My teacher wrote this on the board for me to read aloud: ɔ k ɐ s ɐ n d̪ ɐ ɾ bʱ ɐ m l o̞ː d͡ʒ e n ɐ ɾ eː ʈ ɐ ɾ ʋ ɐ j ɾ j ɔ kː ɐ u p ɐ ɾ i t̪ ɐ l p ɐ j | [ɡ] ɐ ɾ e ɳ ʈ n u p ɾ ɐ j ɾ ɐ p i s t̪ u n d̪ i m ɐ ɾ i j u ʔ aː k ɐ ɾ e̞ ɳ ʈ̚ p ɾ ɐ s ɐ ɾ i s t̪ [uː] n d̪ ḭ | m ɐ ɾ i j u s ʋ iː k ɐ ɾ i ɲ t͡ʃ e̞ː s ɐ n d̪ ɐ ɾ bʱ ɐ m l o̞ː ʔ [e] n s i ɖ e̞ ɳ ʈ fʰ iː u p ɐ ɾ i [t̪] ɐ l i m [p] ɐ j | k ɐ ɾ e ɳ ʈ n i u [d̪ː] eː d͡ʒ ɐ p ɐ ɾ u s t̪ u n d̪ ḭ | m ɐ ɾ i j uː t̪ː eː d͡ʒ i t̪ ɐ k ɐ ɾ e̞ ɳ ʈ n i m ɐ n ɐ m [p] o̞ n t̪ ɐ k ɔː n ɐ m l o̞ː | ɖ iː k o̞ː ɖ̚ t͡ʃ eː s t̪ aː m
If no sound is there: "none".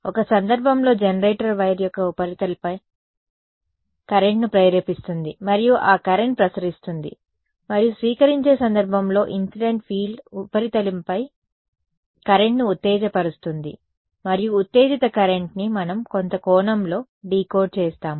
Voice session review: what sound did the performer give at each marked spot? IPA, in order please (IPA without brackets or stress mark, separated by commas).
k, u, i, t̪, p, t̪ː, k